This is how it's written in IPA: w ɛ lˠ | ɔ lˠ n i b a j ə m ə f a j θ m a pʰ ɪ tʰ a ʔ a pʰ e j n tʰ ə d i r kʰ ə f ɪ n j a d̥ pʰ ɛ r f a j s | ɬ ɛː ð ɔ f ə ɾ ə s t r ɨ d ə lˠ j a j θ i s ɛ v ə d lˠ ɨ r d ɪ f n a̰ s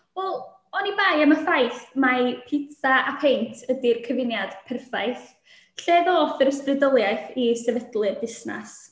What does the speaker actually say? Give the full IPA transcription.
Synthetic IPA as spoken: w ɛ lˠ | ɔ n i b a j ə m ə f a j θ m a pʰ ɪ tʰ a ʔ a pʰ e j n tʰ ə d i r kʰ ə v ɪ n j a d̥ pʰ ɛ r f a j θ | ɬ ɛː ð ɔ f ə ɾ ə s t r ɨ d ə lˠ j a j θ i s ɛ v ə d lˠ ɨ r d ɪ s n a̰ s